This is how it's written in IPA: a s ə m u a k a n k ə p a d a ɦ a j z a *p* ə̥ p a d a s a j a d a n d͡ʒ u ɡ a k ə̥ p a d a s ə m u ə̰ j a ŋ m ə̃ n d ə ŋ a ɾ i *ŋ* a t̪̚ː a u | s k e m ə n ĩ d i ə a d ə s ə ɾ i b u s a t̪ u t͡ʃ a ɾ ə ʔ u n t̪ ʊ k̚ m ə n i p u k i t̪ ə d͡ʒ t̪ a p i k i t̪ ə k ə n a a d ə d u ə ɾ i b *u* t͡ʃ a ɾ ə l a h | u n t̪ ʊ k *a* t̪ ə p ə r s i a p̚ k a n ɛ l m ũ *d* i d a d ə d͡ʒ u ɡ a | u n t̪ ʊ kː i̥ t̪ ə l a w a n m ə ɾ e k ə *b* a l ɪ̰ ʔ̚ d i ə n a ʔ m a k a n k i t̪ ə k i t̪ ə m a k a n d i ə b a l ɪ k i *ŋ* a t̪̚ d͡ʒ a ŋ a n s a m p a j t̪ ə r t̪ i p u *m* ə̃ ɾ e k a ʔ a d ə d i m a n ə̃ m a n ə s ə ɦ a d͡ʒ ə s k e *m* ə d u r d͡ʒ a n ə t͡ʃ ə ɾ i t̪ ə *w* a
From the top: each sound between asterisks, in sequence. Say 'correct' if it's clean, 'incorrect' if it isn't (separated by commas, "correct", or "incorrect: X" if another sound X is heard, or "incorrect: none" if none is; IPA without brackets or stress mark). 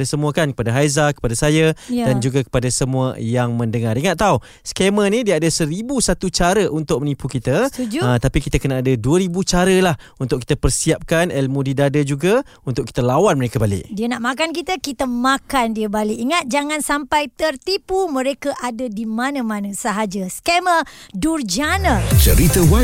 incorrect: k, correct, correct, incorrect: i, correct, correct, correct, correct, correct, correct